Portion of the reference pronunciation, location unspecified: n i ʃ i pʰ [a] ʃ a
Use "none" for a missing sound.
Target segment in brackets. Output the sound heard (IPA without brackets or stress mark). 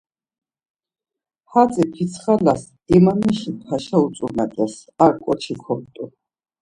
a